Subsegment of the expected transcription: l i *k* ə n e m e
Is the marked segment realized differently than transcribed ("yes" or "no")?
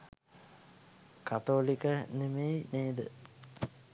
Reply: no